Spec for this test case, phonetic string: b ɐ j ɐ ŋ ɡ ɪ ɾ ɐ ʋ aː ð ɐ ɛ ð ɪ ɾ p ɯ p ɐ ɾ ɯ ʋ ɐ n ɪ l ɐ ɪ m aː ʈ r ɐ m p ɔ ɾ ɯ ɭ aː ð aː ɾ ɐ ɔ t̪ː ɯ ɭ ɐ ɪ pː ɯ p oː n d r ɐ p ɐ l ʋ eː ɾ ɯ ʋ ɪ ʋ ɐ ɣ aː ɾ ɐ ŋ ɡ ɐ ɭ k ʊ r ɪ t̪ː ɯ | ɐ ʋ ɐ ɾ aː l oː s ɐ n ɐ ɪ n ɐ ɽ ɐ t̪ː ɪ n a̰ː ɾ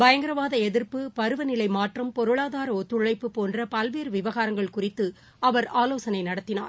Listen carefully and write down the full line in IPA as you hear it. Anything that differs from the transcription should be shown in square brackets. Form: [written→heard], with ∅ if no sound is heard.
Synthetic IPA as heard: b ɐ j ɐ ŋ ɡ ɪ ɾ ɐ ʋ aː ð ɐ ɛ ð ɪ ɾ p ɯ p ɐ ɾ ɯ ʋ ɐ n ɪ l ɐ ɪ m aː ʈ r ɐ m p ɔ ɾ ɯ ɭ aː ð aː ɾ ɐ ɔ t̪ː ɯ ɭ ɐ ɪ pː ɯ p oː n d r ɐ p ɐ l ʋ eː ɾ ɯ ʋ ɪ ʋ ɐ ɣ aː ɾ ɐ ŋ ɡ ɐ ɭ k ʊ r ɪ t̪ː ɯ | ɐ ʋ ɐ ɾ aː l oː s ɐ n ɐ ɪ n ɐ ɽ ɐ t̪ː ɪ n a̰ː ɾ

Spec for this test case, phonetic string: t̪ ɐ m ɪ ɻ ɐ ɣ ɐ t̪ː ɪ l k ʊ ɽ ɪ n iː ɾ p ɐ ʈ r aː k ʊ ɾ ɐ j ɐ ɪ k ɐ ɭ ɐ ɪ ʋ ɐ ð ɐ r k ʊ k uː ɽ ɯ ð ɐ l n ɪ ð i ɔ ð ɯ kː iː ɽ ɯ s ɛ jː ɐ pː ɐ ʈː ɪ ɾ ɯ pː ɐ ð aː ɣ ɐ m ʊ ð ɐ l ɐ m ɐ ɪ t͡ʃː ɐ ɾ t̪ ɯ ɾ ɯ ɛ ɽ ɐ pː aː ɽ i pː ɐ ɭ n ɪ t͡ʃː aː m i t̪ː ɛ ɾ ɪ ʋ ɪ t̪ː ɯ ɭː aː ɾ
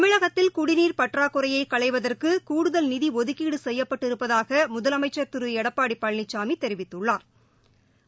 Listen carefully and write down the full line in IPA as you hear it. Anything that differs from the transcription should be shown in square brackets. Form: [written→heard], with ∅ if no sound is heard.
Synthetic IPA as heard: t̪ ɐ m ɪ ɻ ɐ ɣ ɐ t̪ː ɪ l k ʊ ɽ ɪ n iː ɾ p ɐ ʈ r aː k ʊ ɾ ɐ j ɐ ɪ k ɐ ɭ ɐ ɪ ʋ ɐ ð ɐ r k [ʊ→ɯ] k uː ɽ ɯ ð ɐ l n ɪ ð i ɔ ð ɯ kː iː ɽ ɯ s ɛ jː ɐ pː ɐ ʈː ɪ ɾ ɯ pː ɐ ð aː ɣ ɐ m ʊ ð ɐ l ɐ m ɐ ɪ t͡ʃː ɐ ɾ t̪ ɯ ɾ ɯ ɛ ɽ ɐ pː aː ɽ i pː ɐ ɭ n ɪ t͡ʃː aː m i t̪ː ɛ ɾ ɪ ʋ ɪ t̪ː ɯ ɭː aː ɾ

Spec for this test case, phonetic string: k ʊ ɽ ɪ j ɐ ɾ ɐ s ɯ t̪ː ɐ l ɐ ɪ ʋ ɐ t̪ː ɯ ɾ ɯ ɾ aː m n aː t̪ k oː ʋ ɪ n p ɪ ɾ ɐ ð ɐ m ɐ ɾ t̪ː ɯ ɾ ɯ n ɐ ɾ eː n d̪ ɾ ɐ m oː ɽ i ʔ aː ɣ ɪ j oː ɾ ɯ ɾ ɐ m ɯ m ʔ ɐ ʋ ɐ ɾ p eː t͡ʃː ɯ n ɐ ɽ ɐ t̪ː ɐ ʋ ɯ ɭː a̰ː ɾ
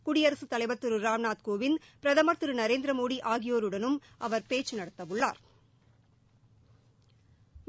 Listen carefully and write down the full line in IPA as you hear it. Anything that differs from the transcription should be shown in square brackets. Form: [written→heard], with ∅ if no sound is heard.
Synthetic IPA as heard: k ʊ ɽ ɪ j ɐ ɾ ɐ s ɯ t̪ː ɐ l ɐ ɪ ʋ ɐ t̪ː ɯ ɾ ɯ ɾ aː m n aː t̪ k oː ʋ ɪ n p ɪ ɾ ɐ ð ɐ m ɐ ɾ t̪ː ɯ ɾ ɯ n ɐ ɾ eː n d̪ ɾ ɐ m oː ɽ i ʔ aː ɣ ɪ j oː ɾ ɯ [ɾ→ɽ] ɐ [m→n] ɯ m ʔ ɐ ʋ ɐ ɾ p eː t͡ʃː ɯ n ɐ ɽ ɐ t̪ː ɐ ʋ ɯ ɭː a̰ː ɾ

